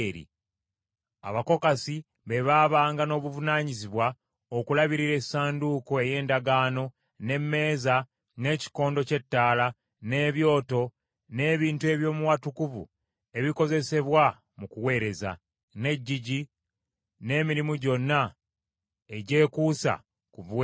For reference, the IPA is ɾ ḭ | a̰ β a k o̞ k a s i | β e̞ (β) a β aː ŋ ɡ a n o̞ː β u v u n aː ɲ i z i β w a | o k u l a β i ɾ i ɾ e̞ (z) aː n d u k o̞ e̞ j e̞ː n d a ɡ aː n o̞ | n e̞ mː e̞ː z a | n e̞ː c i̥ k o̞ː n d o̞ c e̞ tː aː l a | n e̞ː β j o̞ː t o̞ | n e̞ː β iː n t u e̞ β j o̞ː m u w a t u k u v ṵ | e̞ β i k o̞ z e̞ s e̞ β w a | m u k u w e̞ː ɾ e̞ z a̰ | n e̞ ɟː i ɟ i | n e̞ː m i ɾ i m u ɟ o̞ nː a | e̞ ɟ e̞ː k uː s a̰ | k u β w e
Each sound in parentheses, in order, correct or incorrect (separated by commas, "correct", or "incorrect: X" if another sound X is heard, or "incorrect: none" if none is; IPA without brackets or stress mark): correct, incorrect: s